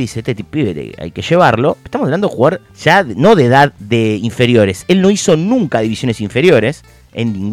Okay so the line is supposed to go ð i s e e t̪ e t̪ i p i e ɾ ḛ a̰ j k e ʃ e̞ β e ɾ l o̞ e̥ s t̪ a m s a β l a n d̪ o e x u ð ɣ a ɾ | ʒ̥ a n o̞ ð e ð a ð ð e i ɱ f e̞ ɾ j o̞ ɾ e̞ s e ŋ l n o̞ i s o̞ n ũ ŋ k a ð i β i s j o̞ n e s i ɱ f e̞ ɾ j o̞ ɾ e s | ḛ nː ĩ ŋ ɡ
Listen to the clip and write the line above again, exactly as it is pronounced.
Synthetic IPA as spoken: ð i s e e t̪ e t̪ i p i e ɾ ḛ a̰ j k e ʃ e̞ β a ɾ l o̞ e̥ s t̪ a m s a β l a n d̪ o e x u ɣ a ɾ | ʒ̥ a n o̞ ð e ð a ð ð e i ɱ f e̞ ɾ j o̞ ɾ e̞ s e l n o̞ i s o̞ n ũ ŋ k a ð i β i s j o̞ n e s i ɱ f e̞ ɾ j o̞ ɾ e s | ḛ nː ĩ ŋ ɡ